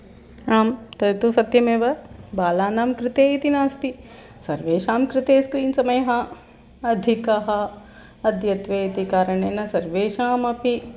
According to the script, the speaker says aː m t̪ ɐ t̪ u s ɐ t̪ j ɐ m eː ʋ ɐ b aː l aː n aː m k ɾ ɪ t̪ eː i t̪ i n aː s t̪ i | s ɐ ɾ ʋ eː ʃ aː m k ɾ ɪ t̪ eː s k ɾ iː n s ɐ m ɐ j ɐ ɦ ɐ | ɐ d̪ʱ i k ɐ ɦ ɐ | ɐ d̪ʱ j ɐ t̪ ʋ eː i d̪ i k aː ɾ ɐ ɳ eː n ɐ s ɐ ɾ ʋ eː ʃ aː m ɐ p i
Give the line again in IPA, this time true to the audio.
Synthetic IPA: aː m t̪ ɐ t̪ u s ɐ t̪ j ɐ m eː ʋ ɐ b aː l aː n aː m k ɾ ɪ t̪ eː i t̪ i n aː s t̪ i | s ɐ ɾ ʋ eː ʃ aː m k ɾ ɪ t̪ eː s k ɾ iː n s ɐ m ɐ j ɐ ɦ ɐ | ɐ d̪ʱ i k ɐ ɦ ɐ | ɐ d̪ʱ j ɐ t̪ ʋ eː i t̪ i k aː ɾ ɐ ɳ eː n ɐ s ɐ ɾ ʋ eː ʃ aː m ɐ p i